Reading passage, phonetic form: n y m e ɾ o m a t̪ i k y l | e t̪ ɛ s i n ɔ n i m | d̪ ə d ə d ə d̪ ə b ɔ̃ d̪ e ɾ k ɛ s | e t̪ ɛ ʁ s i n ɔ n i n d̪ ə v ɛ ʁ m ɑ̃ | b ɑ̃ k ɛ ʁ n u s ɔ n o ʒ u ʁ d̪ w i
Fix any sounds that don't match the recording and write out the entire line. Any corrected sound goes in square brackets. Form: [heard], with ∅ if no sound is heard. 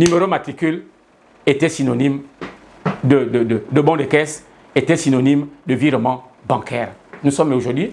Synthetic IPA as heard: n y m e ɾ o m a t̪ i k y l | e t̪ ɛ s i n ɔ n i m | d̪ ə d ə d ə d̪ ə b ɔ̃ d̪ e [∅] k ɛ s | e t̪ ɛ [∅] s i n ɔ n i [m] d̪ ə v [i] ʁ m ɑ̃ | b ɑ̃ k ɛ ʁ n u s ɔ [m] o ʒ u ʁ d̪ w i

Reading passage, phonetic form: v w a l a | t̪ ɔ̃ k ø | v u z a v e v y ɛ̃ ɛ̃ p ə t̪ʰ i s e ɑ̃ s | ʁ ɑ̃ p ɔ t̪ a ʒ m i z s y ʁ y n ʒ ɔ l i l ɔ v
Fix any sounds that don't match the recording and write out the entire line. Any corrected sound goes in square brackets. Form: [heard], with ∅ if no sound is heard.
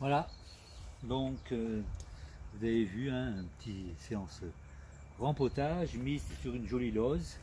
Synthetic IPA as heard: v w a l a | [d̪] ɔ̃ k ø | v u z a v e v y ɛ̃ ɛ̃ p ə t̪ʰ i s e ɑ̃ s | ʁ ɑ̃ p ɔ t̪ a ʒ m i z s y ʁ y n ʒ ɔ l i l ɔ [z]

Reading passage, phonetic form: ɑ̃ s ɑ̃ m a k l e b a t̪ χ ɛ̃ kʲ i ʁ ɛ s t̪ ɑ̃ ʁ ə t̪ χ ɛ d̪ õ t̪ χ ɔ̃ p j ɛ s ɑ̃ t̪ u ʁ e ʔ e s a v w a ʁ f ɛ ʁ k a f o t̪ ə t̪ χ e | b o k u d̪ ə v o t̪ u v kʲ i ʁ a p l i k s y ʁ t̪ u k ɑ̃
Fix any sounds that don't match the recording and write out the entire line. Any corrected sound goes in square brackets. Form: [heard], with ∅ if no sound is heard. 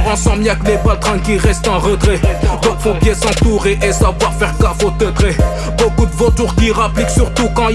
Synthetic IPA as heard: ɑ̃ s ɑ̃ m a k l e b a t̪ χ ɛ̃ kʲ i ʁ ɛ s t̪ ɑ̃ ʁ ə t̪ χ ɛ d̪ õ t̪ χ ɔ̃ p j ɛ s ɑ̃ t̪ u ʁ e ʔ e s a v w a ʁ f ɛ ʁ k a f o t̪ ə t̪ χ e | b o k u d̪ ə v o t̪ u [ʁ] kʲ i ʁ a p l i k s y ʁ t̪ u k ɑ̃

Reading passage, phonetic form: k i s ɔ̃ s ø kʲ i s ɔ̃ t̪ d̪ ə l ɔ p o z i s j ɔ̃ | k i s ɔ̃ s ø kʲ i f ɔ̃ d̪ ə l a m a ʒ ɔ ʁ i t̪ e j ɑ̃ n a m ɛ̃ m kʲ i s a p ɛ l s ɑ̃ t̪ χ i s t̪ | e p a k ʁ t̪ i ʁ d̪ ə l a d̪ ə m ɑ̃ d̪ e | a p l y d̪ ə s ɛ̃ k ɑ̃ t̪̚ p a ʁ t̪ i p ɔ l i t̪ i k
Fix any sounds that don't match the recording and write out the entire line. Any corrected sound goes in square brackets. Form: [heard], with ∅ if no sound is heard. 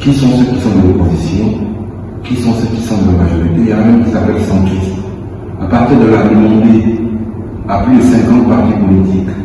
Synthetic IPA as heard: k i s ɔ̃ s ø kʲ i s ɔ̃ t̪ d̪ ə l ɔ p o z i s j ɔ̃ | k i s ɔ̃ s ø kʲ i [s] ɔ̃ d̪ ə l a m a ʒ ɔ ʁ i t̪ e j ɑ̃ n a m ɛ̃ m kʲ i s a p ɛ l s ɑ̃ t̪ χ i s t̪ | [a] p a [∅] ʁ t̪ i ʁ d̪ ə l a d̪ ə m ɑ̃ d̪ e | a p l y d̪ ə s ɛ̃ k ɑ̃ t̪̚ p a ʁ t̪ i p ɔ l i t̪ i k

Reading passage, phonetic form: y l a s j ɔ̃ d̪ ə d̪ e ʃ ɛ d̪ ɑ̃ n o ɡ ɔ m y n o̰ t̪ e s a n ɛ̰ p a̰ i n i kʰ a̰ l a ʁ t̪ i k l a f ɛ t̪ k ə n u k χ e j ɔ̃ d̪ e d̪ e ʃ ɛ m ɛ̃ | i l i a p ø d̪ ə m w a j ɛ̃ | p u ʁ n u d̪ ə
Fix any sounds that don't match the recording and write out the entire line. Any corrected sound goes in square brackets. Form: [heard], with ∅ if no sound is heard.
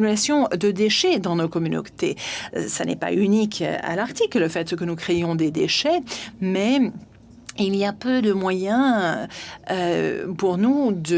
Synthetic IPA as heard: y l a s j ɔ̃ d̪ ə d̪ e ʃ ɛ d̪ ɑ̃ n o [k] ɔ m y n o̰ t̪ e s a n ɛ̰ p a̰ [y] n i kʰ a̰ l a ʁ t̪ i k l [ə] f ɛ t̪ k ə n u k χ e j ɔ̃ d̪ e d̪ e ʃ ɛ m [ɛ] | i l i a p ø d̪ ə m w a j ɛ̃ | p u ʁ n u d̪ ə

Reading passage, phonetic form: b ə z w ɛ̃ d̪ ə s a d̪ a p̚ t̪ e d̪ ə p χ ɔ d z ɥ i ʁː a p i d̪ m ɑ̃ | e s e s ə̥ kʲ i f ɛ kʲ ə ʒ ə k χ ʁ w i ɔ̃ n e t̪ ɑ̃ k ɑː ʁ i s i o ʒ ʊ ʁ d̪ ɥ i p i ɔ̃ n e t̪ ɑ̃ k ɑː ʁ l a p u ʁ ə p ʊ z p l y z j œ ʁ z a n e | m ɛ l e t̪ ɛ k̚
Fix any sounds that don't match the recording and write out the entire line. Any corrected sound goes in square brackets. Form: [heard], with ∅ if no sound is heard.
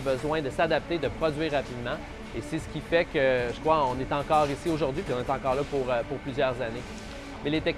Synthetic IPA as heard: b ə z w ɛ̃ d̪ ə s a d̪ a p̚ t̪ e d̪ ə p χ ɔ d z ɥ i ʁː a p i d̪ m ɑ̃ | e s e s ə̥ kʲ i f ɛ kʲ ə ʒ ə k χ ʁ w [a] ɔ̃ n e t̪ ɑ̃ k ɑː ʁ i s i o ʒ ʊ ʁ d̪ ɥ i p i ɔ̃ n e t̪ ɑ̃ k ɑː ʁ l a p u ʁ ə p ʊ [ʁ] p l y z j œ ʁ z a n e | m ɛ l e t̪ ɛ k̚

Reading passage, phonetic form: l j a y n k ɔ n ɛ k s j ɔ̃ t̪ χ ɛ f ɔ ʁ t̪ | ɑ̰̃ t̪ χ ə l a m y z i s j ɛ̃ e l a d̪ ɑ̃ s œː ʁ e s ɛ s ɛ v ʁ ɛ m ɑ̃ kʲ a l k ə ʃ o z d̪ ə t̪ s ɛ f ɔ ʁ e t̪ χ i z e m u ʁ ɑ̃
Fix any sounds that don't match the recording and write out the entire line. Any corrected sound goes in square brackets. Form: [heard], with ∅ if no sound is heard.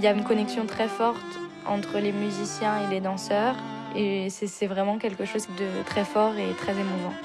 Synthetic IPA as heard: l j a y n k ɔ n ɛ k s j ɔ̃ t̪ χ ɛ f ɔ ʁ t̪ | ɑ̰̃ t̪ χ ə l [e] m y z i s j ɛ̃ e l [e] d̪ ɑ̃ s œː ʁ e s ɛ s ɛ v ʁ ɛ m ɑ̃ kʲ [ɛ] l k ə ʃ o z d̪ ə t̪ [χ] ɛ f ɔ ʁ e t̪ χ [ɛ] z e m u [v] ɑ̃

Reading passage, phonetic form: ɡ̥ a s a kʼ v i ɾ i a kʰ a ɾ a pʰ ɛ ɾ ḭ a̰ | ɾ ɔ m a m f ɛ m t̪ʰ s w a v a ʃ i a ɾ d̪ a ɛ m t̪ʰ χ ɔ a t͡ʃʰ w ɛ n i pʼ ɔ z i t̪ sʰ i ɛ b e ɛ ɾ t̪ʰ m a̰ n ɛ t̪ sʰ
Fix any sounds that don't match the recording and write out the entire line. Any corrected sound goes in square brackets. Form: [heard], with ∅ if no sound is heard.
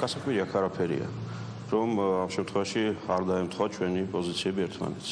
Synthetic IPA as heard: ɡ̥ a s a kʼ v i ɾ i a kʰ a ɾ a pʰ ɛ ɾ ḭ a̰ | ɾ ɔ m a m [ʃ] ɛ m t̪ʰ [χ] w [ɛ] v a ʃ i a ɾ d̪ a ɛ m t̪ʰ χ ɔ a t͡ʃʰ w ɛ n i pʼ ɔ z i t̪ sʰ i ɛ b [i] ɛ ɾ t̪ʰ m a̰ n ɛ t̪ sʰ

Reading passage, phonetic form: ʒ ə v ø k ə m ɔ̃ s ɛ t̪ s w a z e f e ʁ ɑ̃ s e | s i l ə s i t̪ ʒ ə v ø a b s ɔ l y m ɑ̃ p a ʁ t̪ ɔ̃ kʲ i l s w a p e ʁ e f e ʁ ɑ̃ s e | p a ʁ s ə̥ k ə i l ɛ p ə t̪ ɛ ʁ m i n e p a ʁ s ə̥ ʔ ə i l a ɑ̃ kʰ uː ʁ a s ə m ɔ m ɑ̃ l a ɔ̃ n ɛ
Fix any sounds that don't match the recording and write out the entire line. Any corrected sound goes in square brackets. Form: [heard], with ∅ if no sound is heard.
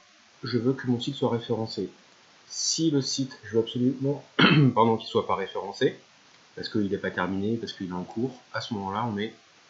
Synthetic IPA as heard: ʒ ə v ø k ə m ɔ̃ s [i] t̪ s w a [ʁ] e f e ʁ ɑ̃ s e | s i l ə s i t̪ ʒ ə v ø a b s ɔ l y m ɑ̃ p a ʁ [d̪] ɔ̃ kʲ i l s w a p [a] ʁ e f e ʁ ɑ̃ s e | p a ʁ s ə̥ k ə i l ɛ p [a] t̪ ɛ ʁ m i n e p a ʁ s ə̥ [k] ə i l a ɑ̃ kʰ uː ʁ a s ə m ɔ m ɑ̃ l a ɔ̃ n ɛ

